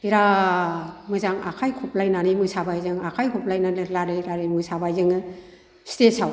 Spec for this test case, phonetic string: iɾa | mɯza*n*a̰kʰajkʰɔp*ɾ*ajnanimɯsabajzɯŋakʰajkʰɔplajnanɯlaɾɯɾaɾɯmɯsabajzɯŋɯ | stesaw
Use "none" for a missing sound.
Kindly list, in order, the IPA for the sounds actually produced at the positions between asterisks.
ŋ, l

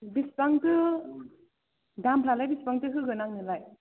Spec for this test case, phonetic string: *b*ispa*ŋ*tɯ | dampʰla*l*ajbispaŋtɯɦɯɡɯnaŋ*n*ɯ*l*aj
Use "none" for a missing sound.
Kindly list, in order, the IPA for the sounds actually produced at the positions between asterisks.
b, ŋ, l, n, l

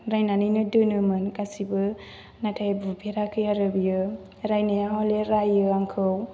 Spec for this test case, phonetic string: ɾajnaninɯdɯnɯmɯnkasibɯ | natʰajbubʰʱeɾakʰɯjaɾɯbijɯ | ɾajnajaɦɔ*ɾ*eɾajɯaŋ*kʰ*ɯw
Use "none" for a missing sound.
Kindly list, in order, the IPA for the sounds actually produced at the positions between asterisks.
l, kʰ

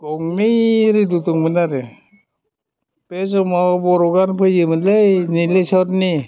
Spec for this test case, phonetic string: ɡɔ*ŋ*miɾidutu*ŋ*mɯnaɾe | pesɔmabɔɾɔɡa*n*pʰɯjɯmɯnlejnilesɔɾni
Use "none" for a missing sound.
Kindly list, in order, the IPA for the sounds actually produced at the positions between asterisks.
ŋ, ŋ, n

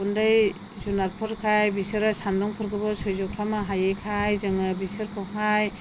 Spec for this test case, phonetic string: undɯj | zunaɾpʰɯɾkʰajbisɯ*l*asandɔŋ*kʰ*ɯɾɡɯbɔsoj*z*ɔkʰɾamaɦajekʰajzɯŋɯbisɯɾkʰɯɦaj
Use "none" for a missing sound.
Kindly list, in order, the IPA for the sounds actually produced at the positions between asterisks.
ɾ, pʰ, z

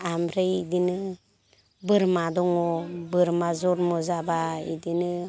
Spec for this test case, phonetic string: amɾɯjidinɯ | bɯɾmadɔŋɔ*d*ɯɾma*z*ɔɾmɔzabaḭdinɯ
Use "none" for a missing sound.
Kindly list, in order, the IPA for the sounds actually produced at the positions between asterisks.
b, z

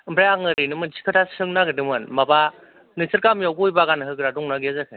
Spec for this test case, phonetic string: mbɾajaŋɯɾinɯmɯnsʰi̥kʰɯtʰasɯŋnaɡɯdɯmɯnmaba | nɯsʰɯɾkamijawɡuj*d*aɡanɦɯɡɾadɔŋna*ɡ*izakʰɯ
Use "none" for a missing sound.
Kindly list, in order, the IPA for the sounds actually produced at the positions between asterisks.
b, ɡ

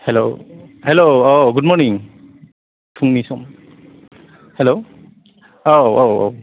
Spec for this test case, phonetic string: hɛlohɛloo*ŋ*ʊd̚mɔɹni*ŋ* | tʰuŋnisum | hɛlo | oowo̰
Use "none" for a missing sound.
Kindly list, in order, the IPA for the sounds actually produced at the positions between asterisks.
ɡ, ŋ

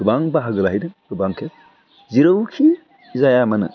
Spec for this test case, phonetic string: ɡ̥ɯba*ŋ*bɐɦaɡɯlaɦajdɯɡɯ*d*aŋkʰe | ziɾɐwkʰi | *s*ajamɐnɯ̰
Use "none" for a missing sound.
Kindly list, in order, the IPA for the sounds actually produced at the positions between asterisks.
ŋ, b, z

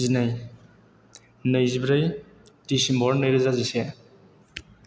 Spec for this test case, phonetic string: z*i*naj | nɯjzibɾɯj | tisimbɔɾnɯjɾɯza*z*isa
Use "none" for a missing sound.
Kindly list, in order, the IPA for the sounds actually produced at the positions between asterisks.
i, z

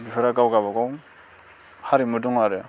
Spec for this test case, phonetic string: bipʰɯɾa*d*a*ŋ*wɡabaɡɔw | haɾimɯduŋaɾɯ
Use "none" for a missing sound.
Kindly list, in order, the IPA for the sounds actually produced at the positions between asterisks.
ɡ, none

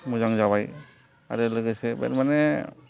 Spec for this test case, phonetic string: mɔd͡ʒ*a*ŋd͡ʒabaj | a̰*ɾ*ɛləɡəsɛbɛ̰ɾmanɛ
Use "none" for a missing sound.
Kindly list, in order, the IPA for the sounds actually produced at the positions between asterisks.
a, ɾ

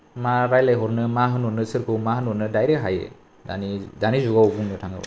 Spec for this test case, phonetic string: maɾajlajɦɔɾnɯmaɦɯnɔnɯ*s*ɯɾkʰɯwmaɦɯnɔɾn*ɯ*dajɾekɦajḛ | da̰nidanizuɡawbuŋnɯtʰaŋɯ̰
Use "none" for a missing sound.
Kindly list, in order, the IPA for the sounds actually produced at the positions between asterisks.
s, ɯ

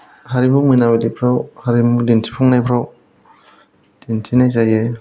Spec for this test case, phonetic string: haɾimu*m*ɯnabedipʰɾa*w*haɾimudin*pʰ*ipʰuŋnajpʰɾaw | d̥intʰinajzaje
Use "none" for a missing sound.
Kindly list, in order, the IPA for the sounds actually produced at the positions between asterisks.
m, w, tʰ

